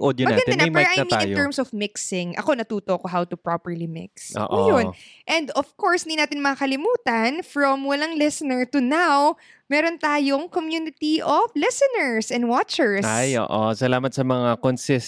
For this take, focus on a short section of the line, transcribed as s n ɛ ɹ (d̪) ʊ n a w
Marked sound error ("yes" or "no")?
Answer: yes